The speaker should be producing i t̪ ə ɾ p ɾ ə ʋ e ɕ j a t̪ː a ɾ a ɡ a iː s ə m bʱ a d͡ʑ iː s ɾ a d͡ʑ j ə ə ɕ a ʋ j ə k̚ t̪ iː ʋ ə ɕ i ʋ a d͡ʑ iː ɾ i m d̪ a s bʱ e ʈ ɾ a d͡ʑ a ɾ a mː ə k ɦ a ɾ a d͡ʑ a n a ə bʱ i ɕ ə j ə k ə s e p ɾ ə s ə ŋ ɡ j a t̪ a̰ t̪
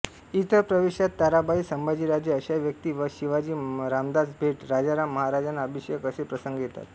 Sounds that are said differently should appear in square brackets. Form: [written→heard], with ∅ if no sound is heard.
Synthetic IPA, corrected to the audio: i t̪ ə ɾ p ɾ ə ʋ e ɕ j a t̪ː a ɾ a [ɡ→b] a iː s ə m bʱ a d͡ʑ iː [s→∅] ɾ a d͡ʑ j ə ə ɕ a ʋ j ə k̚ t̪ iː ʋ ə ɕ i ʋ a d͡ʑ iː ɾ [i→a] m d̪ a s bʱ e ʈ ɾ a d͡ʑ a ɾ a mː ə [k→∅] ɦ a ɾ a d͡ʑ a n a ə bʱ i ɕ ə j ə k ə s e p ɾ ə s ə ŋ ɡ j [a→e] t̪ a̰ t̪

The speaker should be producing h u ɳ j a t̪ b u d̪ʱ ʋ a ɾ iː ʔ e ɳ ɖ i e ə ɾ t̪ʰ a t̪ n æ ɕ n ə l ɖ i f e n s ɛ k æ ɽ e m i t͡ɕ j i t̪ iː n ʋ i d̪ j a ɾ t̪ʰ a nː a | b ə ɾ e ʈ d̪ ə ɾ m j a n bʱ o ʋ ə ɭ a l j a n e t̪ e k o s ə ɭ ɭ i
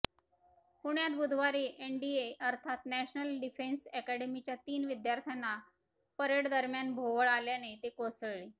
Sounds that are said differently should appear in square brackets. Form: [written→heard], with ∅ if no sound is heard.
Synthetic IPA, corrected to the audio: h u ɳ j a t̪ b u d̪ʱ ʋ a ɾ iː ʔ e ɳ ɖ i e ə ɾ t̪ʰ a t̪ n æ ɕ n ə l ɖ i f e n s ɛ k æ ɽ e m i t͡ɕ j [i→a] t̪ iː n ʋ i d̪ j a ɾ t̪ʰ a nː a | [b→p] ə ɾ e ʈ d̪ ə ɾ m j a n bʱ o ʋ ə ɭ a l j a n e t̪ e k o s ə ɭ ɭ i

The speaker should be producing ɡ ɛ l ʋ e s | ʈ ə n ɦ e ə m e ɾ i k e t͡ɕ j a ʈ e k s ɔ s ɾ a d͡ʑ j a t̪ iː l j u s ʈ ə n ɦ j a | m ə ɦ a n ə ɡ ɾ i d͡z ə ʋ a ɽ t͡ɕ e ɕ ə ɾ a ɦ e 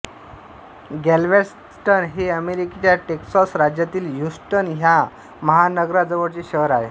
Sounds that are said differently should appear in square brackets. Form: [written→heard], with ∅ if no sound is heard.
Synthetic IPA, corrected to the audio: ɡ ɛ l ʋ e s | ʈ ə n ɦ e ə m e ɾ i k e t͡ɕ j a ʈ e k s ɔ s ɾ a d͡ʑ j a t̪ iː l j u s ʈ ə n ɦ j a | m ə ɦ a n ə ɡ ɾ [i→a] d͡z ə ʋ [a→ə] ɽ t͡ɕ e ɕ ə ɾ a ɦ e

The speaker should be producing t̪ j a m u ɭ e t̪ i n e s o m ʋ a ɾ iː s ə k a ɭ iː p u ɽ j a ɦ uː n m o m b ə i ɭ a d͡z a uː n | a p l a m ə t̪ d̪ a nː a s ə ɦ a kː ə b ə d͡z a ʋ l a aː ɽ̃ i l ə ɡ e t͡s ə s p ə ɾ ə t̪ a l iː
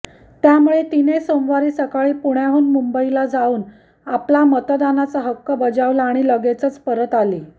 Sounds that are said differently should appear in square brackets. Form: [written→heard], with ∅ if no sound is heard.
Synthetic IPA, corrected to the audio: t̪ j a m u ɭ e t̪ i n e s o m ʋ a ɾ iː s ə k a ɭ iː p u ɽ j a ɦ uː n m [o→u] m b ə i [ɭ→l] a d͡z a uː n | a p l a m ə t̪ d̪ a [nː→n] a [s→t͡s] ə ɦ [a→ə] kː ə b ə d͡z a ʋ l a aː ɽ̃ i l ə ɡ e t͡s ə [s→t͡s] p ə ɾ ə t̪ a l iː

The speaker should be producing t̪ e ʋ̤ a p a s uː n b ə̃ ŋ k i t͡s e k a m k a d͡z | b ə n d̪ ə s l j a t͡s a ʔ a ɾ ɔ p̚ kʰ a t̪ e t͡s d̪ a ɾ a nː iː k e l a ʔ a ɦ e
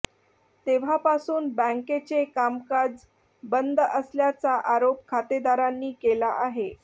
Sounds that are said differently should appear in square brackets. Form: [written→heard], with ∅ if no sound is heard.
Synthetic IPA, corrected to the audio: t̪ e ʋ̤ a p a s uː n b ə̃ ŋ k [i→e] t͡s e k a m k a d͡z | b ə n d̪ ə s l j a t͡s a ʔ a ɾ [ɔ→o] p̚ kʰ a t̪ e [t͡s→∅] d̪ a ɾ a nː iː k e l a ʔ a ɦ e

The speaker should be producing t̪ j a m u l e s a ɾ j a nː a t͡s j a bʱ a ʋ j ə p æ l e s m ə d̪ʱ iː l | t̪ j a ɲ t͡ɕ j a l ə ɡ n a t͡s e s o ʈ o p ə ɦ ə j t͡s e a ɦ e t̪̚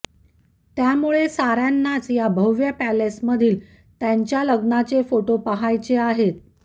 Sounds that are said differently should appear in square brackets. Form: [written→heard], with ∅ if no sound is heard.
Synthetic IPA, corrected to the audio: t̪ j a m u [l→ɭ] e s a ɾ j a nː a t͡s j a bʱ [a→ə] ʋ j ə p æ l e s m ə d̪ʱ iː l | t̪ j a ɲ t͡ɕ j a l ə ɡ n a t͡s e [s→f] o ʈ o p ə ɦ [ə→a] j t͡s e a ɦ e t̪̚

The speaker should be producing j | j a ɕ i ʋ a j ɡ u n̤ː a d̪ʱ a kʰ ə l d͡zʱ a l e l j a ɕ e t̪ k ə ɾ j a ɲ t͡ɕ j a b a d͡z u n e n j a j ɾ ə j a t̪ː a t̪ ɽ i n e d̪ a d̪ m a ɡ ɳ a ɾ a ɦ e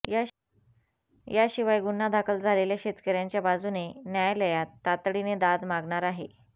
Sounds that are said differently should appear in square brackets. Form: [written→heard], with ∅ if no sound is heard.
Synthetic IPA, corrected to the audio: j | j a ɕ i ʋ a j ɡ u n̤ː a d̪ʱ a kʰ ə l d͡zʱ a l e l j a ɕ e t̪ k ə ɾ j a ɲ t͡ɕ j a b a d͡z u n e n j a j [ɾ→l] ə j a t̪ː a t̪ ɽ i n e d̪ a d̪ m a ɡ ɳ a ɾ a ɦ e

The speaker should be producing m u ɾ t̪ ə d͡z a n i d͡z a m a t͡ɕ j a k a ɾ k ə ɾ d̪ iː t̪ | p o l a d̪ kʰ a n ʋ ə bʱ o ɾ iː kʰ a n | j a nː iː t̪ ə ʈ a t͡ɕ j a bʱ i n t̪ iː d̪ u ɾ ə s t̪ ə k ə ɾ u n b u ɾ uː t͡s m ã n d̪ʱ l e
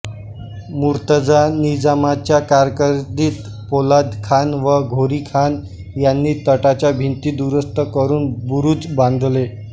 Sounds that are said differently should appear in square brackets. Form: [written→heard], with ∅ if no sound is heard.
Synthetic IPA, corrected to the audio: m u ɾ t̪ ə d͡z a n i d͡z a m a t͡ɕ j a k a ɾ k ə ɾ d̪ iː t̪ | p o l a d̪ kʰ a n ʋ ə [bʱ→ɡʱ] o ɾ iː kʰ a n | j a nː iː t̪ ə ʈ a t͡ɕ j a bʱ i n t̪ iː d̪ u ɾ ə s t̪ ə k ə ɾ [u→uː] n b u ɾ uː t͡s [m→b] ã n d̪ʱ l e

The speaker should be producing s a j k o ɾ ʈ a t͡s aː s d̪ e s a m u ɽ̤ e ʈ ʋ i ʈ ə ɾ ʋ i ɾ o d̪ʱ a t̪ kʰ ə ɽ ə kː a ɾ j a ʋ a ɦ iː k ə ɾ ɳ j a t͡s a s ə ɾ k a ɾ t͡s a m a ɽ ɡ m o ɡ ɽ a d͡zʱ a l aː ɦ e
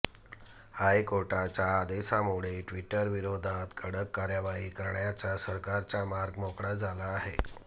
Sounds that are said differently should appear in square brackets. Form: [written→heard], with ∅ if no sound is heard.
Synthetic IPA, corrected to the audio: [s→h] a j k o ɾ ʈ a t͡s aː [s→∅] d̪ e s a m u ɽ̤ e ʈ ʋ i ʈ ə ɾ ʋ i ɾ o d̪ʱ a t̪ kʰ ə ɽ ə kː a ɾ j a ʋ a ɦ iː k ə ɾ ɳ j a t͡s a s ə ɾ k a ɾ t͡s a m a [ɽ→ɾ] ɡ m o [ɡ→k] ɽ a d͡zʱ a l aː ɦ e

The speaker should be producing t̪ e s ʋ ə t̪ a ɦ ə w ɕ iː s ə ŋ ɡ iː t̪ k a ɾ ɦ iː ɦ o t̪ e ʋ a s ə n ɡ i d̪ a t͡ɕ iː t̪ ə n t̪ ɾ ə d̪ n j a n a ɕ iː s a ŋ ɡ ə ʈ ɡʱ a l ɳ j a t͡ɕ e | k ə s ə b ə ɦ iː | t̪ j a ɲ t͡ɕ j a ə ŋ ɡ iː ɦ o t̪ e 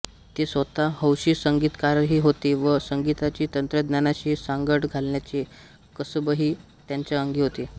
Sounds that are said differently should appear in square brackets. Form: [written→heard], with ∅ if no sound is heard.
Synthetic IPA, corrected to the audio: t̪ e s ʋ ə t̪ a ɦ ə w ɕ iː s ə ŋ ɡ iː t̪ k a ɾ ɦ iː ɦ o t̪ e ʋ [a→ə] s ə [n→ŋ] ɡ i [d̪→t̪] a t͡ɕ iː t̪ ə n t̪ ɾ ə d̪ n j a n a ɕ iː s a ŋ ɡ ə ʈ ɡʱ a l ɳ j a t͡ɕ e | k ə s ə b ə ɦ iː | t̪ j a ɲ t͡ɕ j a ə ŋ ɡ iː ɦ o t̪ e

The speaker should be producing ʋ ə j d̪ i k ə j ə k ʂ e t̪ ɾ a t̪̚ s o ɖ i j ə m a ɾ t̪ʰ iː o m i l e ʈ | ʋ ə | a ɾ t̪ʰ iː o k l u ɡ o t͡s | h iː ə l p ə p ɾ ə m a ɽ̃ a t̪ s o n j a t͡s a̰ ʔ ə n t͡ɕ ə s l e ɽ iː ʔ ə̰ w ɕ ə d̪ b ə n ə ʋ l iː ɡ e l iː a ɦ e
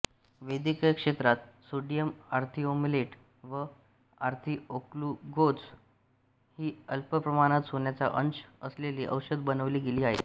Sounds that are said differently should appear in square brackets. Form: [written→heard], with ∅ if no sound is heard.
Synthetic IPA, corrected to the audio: ʋ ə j d̪ i k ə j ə k ʂ e t̪ ɾ a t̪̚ s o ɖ i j ə m a ɾ t̪ʰ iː o m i l e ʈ | ʋ ə | a ɾ t̪ʰ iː o k l u ɡ o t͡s | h iː ə l p ə p ɾ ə m a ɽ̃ a t̪ s o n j a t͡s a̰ ʔ ə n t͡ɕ ə s l e [ɽ→l] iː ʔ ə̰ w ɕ ə d̪ b ə n ə ʋ l iː ɡ e l iː a ɦ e

